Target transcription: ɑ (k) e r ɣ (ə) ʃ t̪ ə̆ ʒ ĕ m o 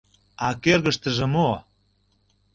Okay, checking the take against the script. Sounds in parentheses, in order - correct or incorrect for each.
correct, correct

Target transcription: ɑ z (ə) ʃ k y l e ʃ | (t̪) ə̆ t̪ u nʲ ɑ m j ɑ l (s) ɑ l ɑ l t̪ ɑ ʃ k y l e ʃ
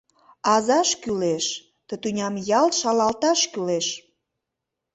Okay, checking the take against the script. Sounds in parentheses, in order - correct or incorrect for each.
incorrect, correct, incorrect

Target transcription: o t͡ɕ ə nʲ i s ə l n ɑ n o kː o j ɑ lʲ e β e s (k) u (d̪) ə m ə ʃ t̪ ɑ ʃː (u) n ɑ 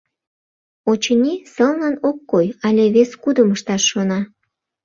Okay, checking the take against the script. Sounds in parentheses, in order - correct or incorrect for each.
correct, correct, incorrect

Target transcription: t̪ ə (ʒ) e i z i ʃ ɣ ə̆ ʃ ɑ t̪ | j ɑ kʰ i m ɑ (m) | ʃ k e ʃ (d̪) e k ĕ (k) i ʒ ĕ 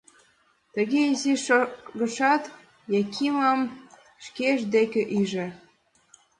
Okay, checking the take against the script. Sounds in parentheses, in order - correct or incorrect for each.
incorrect, correct, correct, incorrect

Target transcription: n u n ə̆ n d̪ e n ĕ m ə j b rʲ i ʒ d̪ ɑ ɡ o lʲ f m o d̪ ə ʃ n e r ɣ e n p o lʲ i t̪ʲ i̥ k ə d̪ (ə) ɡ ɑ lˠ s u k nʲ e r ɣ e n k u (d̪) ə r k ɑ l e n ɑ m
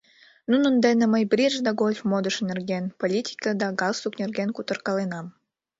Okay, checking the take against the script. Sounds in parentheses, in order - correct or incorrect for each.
incorrect, incorrect

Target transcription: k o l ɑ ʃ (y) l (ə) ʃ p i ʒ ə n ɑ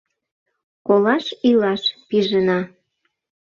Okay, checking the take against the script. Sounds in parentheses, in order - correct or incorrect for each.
incorrect, incorrect

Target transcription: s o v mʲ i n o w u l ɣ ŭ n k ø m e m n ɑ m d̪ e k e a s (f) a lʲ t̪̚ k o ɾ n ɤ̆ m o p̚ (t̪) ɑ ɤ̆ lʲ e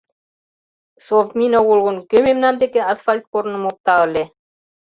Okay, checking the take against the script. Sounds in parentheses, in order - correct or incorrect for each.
correct, correct

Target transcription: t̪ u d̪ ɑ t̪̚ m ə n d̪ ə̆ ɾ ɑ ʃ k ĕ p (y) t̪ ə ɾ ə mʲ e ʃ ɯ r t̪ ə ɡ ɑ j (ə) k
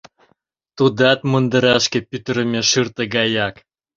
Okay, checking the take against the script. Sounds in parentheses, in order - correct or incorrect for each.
correct, incorrect

